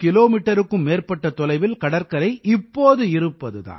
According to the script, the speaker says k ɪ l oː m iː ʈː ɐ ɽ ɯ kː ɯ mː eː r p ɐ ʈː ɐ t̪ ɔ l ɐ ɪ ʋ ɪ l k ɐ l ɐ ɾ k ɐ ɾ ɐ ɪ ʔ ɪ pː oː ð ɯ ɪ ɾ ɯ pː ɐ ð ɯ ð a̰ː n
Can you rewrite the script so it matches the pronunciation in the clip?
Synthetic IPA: k ɪ l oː m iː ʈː ɐ ɾ ɯ kː ɯ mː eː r p ɐ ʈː ɐ t̪ ɔ l ɐ ɪ ʋ ɪ l k ɐ ɽ ɐ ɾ k ɐ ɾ ɐ ɪ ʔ ɪ pː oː ð ɯ ɪ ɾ ɯ pː ɐ ð ɯ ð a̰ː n